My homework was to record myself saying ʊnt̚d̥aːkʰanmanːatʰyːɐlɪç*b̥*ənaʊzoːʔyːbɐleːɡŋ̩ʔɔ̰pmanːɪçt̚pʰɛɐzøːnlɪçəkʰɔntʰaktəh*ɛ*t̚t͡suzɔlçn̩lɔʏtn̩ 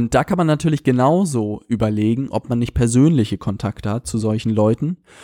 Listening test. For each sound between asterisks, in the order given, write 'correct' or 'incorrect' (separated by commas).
incorrect, incorrect